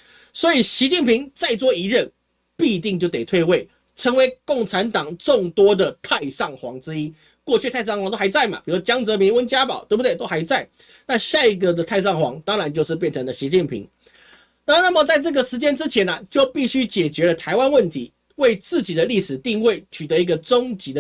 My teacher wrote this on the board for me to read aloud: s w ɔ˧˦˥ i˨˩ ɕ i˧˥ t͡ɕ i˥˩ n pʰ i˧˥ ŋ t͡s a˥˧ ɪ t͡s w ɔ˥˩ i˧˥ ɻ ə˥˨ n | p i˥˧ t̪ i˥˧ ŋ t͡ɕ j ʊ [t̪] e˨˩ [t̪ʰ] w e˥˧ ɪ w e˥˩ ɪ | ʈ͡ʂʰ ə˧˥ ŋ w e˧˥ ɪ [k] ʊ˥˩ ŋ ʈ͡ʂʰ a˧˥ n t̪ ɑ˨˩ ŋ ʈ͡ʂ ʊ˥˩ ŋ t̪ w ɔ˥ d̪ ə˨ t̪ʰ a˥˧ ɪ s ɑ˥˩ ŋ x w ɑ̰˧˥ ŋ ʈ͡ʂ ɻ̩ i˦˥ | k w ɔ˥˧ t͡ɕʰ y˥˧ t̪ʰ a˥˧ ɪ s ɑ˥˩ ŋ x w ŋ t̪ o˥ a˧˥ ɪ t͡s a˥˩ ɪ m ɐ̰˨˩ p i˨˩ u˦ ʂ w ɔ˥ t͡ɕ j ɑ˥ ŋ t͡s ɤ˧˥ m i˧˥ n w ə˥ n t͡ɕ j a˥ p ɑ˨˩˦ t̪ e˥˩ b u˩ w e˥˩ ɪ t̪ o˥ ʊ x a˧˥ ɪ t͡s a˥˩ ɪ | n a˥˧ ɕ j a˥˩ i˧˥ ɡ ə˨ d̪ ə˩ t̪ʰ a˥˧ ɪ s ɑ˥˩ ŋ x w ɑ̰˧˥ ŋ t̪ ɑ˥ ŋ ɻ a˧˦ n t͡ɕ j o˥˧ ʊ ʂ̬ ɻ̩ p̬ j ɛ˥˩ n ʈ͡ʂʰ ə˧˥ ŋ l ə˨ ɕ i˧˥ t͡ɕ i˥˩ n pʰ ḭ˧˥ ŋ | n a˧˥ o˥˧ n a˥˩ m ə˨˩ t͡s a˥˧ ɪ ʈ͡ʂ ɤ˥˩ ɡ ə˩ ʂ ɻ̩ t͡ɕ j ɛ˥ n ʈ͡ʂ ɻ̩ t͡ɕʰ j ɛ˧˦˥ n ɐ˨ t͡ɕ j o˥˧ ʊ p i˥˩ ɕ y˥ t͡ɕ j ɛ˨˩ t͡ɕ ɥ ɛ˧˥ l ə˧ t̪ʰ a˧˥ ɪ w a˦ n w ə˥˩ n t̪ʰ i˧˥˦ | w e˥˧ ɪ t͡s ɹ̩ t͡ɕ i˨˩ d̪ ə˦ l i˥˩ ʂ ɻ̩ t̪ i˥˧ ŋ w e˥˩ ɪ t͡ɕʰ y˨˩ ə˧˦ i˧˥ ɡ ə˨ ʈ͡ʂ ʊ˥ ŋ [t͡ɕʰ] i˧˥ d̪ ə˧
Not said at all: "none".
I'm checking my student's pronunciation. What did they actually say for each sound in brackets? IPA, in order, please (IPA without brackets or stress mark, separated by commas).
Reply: t̪, t̪ʰ, k, t͡ɕ